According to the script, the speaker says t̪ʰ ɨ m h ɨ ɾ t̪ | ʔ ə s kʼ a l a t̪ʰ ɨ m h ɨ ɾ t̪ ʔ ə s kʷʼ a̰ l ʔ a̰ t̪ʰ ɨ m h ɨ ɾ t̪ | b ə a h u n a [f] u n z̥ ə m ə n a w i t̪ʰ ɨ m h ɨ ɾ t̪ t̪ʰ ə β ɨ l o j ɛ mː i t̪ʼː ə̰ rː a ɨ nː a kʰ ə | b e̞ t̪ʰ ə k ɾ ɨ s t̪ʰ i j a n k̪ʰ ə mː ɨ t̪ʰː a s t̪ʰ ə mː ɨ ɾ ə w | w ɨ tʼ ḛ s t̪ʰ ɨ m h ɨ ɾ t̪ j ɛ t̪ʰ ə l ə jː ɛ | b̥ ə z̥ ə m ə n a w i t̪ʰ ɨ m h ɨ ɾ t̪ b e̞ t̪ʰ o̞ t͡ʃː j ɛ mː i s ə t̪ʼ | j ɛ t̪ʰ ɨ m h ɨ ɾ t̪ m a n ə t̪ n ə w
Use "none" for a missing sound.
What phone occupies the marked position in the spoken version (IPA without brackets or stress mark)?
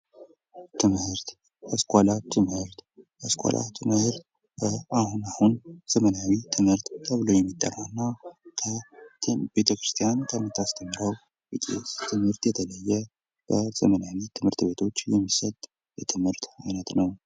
h